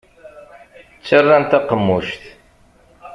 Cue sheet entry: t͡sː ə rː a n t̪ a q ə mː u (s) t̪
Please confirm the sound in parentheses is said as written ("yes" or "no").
no